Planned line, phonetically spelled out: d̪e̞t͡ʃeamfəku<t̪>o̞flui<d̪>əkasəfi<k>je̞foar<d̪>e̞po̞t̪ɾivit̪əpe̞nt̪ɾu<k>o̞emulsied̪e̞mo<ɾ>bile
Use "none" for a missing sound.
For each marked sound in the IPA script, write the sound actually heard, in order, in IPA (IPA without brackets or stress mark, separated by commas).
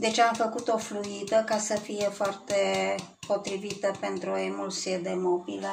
t̪, d̪, none, t̪, none, none